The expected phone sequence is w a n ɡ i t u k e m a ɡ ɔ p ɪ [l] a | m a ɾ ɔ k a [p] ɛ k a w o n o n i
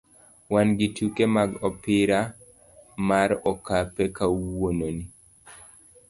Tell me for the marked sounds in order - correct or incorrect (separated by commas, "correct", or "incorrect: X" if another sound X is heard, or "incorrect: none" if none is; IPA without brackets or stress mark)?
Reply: incorrect: ɾ, correct